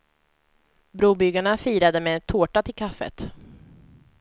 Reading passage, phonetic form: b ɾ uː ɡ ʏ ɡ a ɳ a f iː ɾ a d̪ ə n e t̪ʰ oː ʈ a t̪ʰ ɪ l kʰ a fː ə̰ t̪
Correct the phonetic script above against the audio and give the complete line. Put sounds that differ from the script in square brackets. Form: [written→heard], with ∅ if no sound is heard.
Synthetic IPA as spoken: b ɾ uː [ɡ→b] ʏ ɡ a ɳ a f iː ɾ a d̪ ə [n→m] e t̪ʰ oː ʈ a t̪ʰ ɪ l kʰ a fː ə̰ t̪